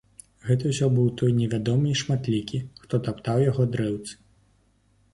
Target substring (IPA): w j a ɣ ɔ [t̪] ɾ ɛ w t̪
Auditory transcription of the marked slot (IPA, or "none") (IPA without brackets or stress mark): d̪